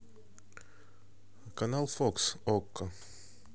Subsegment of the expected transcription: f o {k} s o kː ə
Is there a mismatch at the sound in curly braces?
no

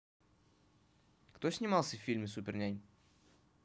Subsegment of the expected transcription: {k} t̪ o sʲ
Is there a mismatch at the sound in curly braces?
no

